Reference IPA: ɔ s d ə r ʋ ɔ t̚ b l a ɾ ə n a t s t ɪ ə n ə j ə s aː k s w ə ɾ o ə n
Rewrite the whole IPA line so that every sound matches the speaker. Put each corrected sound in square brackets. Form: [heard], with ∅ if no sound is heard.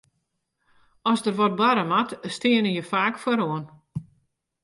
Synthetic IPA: ɔ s d ə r ʋ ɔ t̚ b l a ɾ ə [m] a t s t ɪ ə n ə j ə [f] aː k [f] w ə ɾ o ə n